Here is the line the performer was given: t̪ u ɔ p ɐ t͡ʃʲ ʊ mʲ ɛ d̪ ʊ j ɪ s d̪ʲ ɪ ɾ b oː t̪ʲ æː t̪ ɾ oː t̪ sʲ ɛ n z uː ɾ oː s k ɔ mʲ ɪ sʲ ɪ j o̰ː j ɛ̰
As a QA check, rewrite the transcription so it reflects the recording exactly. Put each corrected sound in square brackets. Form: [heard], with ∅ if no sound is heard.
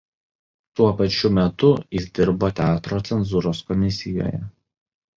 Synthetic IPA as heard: t̪ u ɔ p ɐ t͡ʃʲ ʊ mʲ ɛ [t̪] ʊ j ɪ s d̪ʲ ɪ ɾ b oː t̪ʲ æː t̪ ɾ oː t̪ sʲ ɛ n z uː ɾ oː s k ɔ mʲ ɪ sʲ ɪ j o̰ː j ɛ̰